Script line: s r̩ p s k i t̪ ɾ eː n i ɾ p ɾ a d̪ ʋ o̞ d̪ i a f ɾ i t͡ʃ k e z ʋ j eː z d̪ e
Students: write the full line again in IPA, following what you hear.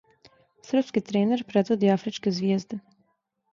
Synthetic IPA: s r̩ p s k i t̪ ɾ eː n e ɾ p ɾ e d̪ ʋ o̞ d̪ i a f ɾ i t͡ʃ k e z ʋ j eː z d̪ e